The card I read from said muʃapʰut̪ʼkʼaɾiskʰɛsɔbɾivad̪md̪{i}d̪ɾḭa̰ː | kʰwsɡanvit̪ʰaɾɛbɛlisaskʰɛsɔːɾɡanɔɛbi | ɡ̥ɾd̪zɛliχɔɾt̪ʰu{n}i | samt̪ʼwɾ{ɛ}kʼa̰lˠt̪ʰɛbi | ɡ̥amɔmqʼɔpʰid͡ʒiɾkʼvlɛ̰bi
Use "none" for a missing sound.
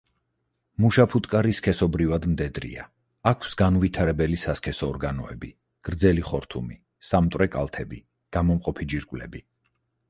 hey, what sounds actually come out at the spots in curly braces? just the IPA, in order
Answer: ɛ, m, ɛ

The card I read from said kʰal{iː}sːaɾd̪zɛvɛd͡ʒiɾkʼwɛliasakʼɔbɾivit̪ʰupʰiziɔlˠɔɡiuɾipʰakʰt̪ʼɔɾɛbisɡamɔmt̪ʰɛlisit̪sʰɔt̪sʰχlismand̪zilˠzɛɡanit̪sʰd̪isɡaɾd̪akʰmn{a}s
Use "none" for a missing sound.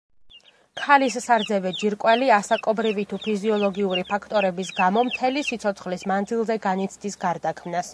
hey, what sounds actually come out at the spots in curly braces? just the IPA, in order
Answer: i, a

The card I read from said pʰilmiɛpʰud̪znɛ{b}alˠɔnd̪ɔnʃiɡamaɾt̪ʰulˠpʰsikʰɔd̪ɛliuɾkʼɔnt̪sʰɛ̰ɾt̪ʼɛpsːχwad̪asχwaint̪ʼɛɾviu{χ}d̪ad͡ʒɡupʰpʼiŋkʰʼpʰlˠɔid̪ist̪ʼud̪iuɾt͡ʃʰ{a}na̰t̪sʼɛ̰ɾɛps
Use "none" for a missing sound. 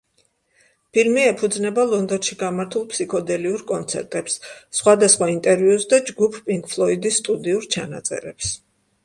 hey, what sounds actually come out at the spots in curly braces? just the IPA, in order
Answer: b, s, a

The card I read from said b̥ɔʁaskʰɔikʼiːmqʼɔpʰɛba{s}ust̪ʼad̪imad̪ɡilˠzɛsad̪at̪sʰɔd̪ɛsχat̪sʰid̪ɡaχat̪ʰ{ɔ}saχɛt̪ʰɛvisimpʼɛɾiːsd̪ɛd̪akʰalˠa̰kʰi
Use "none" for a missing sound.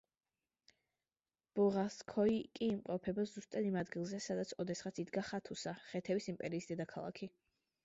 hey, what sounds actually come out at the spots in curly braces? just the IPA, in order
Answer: z, u

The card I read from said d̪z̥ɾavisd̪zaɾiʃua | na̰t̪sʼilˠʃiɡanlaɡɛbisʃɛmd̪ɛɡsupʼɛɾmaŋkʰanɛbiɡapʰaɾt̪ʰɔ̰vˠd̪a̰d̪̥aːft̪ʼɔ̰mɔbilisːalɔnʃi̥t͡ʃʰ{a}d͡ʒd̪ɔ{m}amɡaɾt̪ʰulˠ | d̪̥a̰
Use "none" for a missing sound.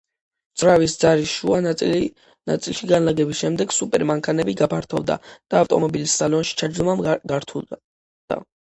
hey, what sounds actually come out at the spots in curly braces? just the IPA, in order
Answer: a, m

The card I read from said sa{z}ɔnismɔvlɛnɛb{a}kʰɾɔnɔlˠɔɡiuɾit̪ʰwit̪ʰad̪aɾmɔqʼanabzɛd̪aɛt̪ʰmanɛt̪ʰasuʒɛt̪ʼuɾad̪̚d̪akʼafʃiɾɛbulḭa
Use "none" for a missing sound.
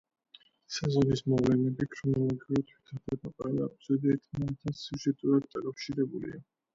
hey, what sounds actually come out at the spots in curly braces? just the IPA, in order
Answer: z, i

